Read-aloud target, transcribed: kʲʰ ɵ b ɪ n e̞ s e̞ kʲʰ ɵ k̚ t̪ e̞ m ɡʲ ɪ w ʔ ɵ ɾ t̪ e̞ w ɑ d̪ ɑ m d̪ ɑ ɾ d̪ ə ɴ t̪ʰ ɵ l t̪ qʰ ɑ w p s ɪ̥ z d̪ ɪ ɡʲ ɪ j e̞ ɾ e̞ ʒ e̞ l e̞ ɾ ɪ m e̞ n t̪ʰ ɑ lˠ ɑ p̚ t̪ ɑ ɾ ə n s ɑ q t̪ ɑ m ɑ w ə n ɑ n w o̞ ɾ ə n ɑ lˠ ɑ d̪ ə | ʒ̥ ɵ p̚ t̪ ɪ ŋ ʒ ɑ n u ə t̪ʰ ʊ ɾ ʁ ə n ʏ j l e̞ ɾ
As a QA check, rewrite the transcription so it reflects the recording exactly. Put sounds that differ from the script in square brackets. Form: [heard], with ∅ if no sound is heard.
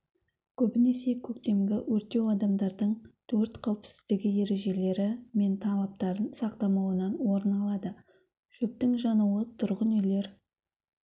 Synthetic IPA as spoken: kʲʰ ɵ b ɪ n e̞ s e̞ kʲʰ ɵ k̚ t̪ e̞ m ɡʲ ɪ w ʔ ɵ ɾ t̪ e̞ w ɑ d̪ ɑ m d̪ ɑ ɾ d̪ ə ɴ t̪ʰ ɵ [ɾ] t̪ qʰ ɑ w p s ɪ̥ z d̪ ɪ ɡʲ ɪ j e̞ ɾ e̞ ʒ e̞ l e̞ ɾ ɪ m e̞ n t̪ʰ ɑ lˠ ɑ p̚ t̪ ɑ ɾ ə n s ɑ q t̪ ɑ m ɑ w ə n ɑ n w o̞ ɾ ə n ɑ lˠ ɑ d̪ ə | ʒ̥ ɵ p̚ t̪ ɪ ŋ ʒ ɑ n u ə t̪ʰ ʊ ɾ ʁ ə n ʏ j l e̞ ɾ